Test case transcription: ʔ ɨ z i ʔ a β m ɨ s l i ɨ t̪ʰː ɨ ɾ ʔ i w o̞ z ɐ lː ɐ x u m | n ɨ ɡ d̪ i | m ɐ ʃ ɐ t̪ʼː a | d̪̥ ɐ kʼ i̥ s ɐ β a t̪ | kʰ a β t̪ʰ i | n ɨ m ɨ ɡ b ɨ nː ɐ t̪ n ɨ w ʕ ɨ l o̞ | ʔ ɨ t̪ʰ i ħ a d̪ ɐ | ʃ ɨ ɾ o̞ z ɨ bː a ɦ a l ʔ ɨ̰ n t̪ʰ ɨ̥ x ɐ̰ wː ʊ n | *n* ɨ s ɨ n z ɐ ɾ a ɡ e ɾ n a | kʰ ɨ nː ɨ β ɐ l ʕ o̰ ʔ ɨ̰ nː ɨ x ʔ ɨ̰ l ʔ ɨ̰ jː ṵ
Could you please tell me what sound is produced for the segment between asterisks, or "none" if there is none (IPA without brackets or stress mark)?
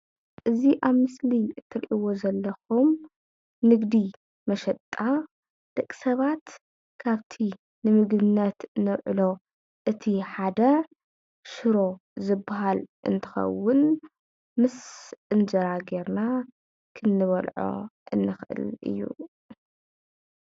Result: m